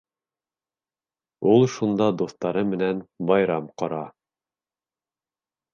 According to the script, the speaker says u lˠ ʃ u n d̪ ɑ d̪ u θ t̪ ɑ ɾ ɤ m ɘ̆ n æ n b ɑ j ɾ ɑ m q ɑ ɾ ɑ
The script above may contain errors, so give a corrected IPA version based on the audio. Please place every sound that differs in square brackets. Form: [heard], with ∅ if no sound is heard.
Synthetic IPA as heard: u lˠ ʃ u n d̪ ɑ d̪ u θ t̪ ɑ ɾ ɤ m ɘ̆ n æ n b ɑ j ɾ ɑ m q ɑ ɾ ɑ